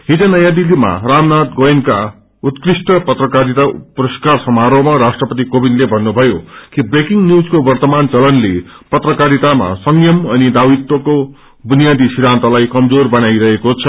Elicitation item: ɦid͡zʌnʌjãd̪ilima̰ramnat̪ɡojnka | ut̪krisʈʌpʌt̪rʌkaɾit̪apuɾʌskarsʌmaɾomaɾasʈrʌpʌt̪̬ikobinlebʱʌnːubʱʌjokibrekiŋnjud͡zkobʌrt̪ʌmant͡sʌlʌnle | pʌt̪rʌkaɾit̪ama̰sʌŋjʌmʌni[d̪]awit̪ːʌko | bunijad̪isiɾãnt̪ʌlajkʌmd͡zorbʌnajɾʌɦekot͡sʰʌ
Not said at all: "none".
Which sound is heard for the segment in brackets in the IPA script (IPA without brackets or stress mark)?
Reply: d̪